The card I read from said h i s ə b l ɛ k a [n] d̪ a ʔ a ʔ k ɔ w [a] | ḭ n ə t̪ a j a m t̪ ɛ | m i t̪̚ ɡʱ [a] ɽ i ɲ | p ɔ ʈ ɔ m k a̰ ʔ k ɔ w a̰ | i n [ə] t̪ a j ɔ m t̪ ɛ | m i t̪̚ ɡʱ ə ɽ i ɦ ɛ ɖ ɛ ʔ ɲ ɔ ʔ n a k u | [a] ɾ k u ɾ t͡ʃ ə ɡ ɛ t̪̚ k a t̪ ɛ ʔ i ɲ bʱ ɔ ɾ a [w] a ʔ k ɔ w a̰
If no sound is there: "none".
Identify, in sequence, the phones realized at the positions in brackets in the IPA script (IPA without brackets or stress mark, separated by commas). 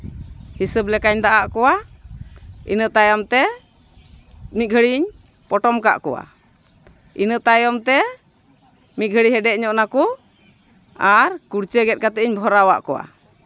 ɲ, a, ə, ə, a, w